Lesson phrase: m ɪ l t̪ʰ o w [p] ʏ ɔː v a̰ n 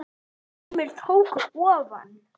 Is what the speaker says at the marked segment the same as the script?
no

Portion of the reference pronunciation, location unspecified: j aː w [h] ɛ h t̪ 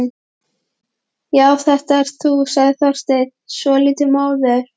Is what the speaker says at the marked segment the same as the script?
no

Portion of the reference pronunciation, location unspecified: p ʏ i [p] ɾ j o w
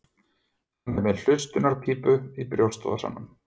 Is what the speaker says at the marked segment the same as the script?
yes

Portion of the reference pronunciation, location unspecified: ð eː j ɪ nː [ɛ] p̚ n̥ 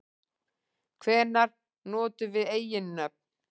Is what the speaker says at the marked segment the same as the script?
no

